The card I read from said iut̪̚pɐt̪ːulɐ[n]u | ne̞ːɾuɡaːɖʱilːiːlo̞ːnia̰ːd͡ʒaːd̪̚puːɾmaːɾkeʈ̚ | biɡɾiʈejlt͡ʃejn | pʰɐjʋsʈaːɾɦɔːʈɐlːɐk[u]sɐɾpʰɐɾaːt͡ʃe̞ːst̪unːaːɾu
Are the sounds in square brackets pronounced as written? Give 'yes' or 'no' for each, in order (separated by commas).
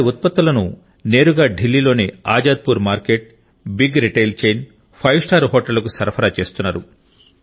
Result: yes, yes